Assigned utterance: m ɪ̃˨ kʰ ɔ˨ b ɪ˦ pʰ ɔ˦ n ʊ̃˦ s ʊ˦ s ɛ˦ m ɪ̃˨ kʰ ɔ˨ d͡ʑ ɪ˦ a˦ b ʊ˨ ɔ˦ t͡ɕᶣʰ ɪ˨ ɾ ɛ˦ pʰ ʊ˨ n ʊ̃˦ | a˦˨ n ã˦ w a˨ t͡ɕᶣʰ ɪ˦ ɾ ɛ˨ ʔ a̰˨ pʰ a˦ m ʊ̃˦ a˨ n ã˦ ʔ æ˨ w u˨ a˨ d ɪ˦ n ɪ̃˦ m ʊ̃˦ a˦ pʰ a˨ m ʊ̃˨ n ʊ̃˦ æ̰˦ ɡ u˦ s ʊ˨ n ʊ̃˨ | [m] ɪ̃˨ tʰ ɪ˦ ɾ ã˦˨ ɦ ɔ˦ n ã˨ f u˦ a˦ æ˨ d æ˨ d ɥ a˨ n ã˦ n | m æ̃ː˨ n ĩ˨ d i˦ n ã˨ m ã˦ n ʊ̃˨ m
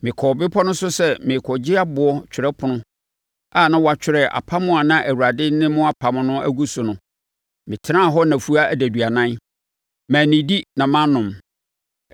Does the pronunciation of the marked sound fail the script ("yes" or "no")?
no